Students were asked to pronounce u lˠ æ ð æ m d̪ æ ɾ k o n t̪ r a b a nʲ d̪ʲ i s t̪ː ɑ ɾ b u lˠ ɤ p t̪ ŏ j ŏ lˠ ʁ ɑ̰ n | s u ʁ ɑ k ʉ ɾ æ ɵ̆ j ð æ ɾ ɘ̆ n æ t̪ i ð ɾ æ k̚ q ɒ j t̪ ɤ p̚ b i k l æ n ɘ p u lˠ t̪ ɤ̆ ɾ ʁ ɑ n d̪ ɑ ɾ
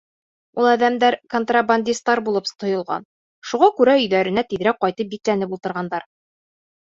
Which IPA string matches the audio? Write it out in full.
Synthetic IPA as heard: u lˠ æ ð æ m d̪ æ ɾ k o n t̪ r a b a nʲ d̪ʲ i s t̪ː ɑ ɾ b u lˠ ɤ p t̪ ŏ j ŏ lˠ ʁ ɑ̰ n | ʃ u ʁ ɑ k ʉ ɾ æ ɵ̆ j ð æ ɾ ɘ̆ n æ t̪ i ð ɾ æ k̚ q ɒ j t̪ ɤ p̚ b i k l æ n ɘ p u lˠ t̪ ɤ̆ ɾ ʁ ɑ n d̪ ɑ ɾ